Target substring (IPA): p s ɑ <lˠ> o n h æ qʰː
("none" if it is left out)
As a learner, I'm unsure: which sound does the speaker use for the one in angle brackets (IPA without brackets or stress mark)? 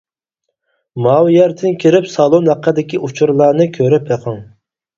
lˠ